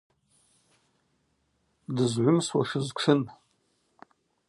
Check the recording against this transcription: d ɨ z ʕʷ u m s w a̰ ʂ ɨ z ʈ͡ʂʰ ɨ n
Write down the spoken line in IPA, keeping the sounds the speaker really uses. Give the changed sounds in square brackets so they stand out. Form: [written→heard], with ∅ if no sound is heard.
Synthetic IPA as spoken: d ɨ z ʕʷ [u→ʊ] m s w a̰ ʂ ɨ z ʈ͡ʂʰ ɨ n